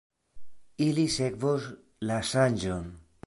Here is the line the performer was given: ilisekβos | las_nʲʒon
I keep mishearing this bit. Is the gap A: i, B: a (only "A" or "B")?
B